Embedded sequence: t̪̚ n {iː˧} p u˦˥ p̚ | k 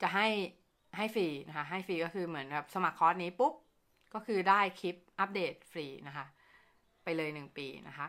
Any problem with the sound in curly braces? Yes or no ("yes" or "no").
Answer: yes